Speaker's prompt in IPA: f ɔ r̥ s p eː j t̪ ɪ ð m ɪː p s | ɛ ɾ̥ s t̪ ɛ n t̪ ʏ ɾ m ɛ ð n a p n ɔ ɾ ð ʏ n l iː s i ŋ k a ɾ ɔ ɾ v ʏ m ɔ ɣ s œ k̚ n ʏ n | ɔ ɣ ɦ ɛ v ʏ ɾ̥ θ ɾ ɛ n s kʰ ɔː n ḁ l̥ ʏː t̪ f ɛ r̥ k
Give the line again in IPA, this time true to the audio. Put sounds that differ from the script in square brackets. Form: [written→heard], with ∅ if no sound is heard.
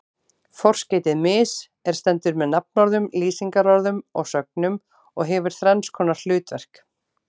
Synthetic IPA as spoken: f ɔ r̥ s [p→c] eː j t̪ ɪ ð m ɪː [p→∅] s | ɛ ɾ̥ s t̪ ɛ n t̪ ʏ ɾ m ɛ ð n a p n ɔ ɾ ð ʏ [n→m] l iː s i ŋ k a ɾ ɔ ɾ [v→ð] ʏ m ɔ ɣ s œ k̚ n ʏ [n→m] | ɔ ɣ ɦ ɛ v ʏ ɾ̥ θ ɾ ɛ n s kʰ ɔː n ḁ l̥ ʏː t̪ [f→v] ɛ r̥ k